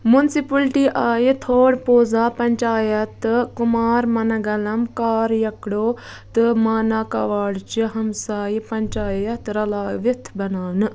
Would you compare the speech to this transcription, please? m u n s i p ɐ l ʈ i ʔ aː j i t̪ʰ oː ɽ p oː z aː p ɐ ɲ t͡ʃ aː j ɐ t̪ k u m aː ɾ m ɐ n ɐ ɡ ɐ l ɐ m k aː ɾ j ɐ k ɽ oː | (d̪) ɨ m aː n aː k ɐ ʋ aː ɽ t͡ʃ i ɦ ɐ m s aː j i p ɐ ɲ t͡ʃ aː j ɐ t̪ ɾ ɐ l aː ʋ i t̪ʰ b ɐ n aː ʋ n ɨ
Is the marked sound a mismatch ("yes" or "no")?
yes